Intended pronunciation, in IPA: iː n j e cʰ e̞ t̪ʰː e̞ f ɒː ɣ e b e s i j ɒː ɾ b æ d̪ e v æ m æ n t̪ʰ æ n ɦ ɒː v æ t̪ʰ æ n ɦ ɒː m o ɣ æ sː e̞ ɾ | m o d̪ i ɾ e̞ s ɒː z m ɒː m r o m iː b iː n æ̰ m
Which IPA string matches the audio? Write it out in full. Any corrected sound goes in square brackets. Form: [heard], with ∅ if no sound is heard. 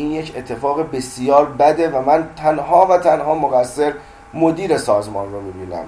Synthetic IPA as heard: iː n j e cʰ e̞ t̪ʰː e̞ f ɒː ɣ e b e s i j ɒː ɾ b æ d̪ e v æ m æ n t̪ʰ æ n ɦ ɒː v æ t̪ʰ æ n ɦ ɒː m o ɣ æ sː e̞ ɾ | m o d̪ [iː] ɾ e̞ s ɒː z m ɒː [n] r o m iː b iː n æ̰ m